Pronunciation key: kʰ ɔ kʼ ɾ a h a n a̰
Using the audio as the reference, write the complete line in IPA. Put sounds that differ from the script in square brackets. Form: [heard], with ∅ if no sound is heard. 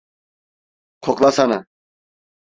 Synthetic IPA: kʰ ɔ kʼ [l] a [s] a n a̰